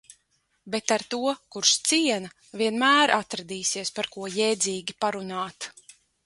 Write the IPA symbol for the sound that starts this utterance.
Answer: b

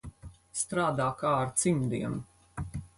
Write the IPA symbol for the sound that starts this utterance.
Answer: s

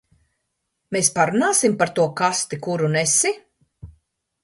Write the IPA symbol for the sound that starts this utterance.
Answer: m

